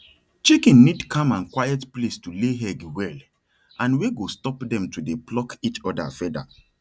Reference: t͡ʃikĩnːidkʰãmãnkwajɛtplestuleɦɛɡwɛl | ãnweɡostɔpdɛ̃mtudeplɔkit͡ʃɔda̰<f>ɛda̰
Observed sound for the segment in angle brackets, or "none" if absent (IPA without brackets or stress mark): f